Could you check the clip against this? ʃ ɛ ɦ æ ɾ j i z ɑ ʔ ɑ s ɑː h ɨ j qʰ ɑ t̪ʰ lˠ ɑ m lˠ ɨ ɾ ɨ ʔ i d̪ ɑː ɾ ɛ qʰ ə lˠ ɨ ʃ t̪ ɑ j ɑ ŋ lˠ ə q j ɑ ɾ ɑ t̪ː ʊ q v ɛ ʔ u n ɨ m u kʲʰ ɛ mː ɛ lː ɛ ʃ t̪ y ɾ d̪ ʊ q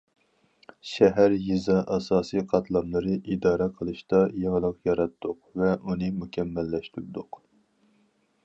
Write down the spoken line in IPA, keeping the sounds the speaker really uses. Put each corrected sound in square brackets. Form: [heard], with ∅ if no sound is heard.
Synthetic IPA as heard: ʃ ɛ ɦ æ ɾ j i z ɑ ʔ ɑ s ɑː [s] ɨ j qʰ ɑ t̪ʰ lˠ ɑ m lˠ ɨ ɾ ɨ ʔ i d̪ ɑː ɾ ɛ qʰ ə lˠ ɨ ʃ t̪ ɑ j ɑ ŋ lˠ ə q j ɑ ɾ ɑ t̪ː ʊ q v ɛ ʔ u n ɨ m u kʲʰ ɛ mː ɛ lː ɛ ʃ t̪ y ɾ d̪ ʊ q